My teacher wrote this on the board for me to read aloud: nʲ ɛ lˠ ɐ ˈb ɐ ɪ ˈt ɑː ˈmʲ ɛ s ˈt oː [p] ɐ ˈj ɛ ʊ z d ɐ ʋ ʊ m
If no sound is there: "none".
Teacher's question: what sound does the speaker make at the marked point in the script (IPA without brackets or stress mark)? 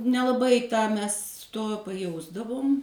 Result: p